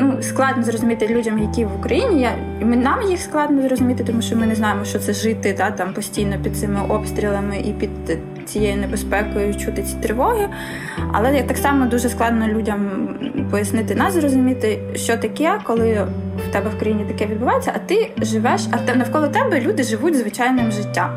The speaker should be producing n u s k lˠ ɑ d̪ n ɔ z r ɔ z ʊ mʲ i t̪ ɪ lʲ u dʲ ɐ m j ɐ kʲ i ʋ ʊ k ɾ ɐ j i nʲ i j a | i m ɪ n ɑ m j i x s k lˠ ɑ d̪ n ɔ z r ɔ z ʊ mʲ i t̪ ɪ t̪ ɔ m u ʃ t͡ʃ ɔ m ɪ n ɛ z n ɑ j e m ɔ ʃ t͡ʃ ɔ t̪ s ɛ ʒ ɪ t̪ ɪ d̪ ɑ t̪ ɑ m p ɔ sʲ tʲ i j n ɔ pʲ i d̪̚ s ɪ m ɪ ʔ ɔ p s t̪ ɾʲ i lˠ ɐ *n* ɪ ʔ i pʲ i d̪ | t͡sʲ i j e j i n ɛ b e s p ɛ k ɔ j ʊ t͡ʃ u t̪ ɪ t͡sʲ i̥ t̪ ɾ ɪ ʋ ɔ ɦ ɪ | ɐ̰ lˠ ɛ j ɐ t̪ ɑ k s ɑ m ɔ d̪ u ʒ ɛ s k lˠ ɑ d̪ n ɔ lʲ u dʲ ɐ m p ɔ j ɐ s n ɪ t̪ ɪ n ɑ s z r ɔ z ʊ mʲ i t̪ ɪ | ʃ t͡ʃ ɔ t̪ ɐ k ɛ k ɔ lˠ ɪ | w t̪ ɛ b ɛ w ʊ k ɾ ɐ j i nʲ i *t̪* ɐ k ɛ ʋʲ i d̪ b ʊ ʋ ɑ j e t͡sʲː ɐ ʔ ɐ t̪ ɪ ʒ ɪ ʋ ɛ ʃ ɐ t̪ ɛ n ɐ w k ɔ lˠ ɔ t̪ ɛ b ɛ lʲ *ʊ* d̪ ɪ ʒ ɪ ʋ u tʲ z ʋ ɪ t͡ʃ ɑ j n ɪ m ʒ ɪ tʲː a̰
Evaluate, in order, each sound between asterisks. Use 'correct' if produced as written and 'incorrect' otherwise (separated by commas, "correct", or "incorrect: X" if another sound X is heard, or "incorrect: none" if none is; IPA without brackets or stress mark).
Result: incorrect: m, correct, incorrect: u